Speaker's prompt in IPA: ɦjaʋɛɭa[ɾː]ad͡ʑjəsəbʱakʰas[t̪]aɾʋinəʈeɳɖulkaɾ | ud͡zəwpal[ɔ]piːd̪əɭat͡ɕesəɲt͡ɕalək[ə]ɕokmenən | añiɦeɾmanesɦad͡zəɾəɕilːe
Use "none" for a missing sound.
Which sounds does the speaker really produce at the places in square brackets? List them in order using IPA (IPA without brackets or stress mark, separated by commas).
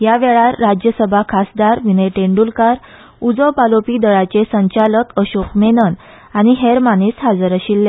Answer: ɾː, d̪, o, ə